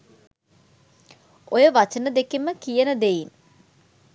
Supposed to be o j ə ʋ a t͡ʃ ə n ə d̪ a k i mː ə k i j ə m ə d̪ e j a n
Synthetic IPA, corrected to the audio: o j ə ʋ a t͡ʃ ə n ə d̪ e k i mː ə k i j ə n ə d̪ e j i n